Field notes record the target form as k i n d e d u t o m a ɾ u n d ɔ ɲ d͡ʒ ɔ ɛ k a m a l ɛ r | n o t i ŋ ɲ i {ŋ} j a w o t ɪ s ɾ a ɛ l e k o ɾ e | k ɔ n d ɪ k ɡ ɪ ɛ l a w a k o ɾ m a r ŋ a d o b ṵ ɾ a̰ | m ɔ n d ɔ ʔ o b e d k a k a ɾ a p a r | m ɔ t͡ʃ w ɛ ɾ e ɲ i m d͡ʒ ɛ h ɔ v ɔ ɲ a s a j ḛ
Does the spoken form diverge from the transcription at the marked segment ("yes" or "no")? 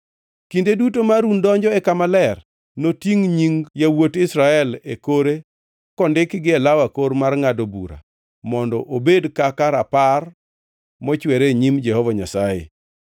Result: no